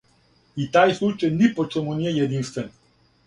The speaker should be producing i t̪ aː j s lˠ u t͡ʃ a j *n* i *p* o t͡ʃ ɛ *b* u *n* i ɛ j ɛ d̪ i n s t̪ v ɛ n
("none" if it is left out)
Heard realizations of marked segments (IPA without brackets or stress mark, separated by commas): n, p, m, n